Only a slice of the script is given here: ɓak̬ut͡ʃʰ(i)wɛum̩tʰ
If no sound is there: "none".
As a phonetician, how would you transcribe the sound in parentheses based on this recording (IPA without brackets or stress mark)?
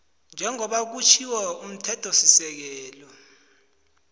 i